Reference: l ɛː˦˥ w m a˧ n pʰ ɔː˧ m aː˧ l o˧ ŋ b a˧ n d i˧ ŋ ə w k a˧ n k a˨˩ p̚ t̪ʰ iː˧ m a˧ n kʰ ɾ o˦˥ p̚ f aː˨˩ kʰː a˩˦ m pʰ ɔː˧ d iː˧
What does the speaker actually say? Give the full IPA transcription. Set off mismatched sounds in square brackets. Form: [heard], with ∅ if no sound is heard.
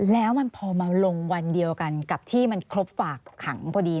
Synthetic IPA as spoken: l ɛː˦˥ w m a˧ n pʰ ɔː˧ m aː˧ l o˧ ŋ [w] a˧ n d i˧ [∅] ə w k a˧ n k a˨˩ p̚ t̪ʰ [iː˥˩] m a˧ n kʰ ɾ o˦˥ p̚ f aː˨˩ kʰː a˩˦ [ŋ] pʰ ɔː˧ d iː˧

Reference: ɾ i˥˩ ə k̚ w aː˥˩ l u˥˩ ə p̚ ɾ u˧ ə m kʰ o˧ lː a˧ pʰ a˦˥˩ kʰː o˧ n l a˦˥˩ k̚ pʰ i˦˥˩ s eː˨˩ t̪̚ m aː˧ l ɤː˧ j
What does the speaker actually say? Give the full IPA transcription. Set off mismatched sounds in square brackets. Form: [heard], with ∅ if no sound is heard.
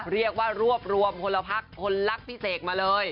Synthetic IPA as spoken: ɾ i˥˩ ə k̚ w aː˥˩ [ɾ] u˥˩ ə p̚ ɾ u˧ ə m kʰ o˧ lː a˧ pʰ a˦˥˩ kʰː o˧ n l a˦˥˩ k̚ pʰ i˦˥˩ s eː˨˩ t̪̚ m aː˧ l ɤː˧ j

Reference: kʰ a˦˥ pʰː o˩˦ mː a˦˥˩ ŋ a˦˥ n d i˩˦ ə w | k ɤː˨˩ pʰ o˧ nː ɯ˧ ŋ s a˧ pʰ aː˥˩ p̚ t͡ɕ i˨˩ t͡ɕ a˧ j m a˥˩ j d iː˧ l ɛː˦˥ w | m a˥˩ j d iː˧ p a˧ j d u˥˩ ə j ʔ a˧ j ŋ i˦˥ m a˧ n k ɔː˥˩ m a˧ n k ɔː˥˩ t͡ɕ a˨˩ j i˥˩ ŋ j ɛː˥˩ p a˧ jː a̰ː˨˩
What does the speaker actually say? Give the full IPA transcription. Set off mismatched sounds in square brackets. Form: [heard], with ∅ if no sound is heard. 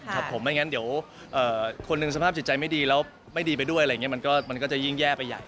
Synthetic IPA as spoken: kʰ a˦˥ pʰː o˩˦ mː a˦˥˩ ŋ a˦˥ n d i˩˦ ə w | [ʔ] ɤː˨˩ [kʰ] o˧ nː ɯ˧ ŋ s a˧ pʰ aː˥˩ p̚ t͡ɕ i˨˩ t͡ɕ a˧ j m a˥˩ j d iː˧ l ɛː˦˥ w | m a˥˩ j d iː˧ p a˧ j d u˥˩ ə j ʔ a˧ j ŋ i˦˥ m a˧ n k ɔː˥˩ m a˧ n k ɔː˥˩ t͡ɕ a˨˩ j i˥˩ ŋ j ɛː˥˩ p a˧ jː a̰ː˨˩

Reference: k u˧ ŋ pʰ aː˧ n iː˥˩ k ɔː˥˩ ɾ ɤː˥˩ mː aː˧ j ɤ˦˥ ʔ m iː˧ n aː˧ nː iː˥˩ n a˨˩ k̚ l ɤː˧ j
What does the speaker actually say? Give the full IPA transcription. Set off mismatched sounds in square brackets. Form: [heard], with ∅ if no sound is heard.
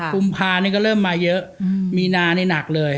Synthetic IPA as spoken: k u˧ [m] pʰ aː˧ n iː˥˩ k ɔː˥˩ ɾ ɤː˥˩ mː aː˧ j ɤ˦˥ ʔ m iː˧ n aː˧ [n] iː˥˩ n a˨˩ k̚ l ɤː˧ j

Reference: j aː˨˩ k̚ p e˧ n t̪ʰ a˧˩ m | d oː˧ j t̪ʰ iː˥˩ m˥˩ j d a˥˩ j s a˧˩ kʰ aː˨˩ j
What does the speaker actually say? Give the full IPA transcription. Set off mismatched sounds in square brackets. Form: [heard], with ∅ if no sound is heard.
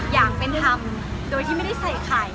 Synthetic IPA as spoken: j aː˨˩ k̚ p e˧ n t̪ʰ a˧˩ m | d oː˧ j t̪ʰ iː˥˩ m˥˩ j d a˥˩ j s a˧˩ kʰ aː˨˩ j

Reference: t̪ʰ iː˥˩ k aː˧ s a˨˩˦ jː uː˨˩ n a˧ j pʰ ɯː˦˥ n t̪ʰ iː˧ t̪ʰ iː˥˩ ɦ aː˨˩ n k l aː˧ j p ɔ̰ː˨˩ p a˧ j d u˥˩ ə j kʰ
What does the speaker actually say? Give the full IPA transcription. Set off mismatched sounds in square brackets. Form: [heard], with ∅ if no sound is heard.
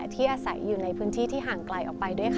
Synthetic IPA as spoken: t̪ʰ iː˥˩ [ʔ] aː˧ s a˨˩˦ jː uː˨˩ n a˧ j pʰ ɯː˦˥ n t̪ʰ [iː˥˩] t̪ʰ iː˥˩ ɦ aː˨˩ [ŋ] k l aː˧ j [ʔ] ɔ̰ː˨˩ p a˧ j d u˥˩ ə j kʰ

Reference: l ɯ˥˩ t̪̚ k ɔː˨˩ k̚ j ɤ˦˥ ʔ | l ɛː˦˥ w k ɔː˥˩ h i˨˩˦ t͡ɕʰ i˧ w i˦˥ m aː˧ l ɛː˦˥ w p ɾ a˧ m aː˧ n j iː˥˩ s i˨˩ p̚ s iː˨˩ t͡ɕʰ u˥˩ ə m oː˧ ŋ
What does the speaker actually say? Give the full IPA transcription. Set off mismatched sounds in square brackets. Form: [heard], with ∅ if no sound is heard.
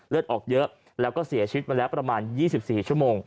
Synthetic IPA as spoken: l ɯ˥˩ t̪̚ [ʔ] ɔː˨˩ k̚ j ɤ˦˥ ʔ | l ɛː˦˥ w k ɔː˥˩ [s] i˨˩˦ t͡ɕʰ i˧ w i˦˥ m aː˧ l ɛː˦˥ w p ɾ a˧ m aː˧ n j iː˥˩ s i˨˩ p̚ s iː˨˩ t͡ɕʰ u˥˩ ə m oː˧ ŋ

